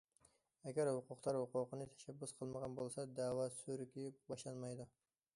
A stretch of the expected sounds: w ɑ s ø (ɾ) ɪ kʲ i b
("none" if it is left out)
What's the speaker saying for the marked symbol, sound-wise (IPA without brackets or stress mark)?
ɾ